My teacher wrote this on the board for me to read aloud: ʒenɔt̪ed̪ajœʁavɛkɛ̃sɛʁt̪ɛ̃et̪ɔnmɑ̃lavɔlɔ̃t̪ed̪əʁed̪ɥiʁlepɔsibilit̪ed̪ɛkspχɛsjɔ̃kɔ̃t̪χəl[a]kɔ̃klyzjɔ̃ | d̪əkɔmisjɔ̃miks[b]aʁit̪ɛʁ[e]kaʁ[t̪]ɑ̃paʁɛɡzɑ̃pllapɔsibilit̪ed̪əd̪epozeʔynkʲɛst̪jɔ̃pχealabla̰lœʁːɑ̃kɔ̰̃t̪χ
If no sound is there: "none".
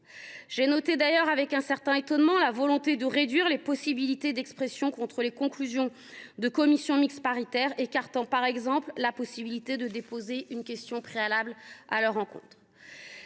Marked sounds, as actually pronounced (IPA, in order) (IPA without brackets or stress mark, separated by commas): e, p, e, t̪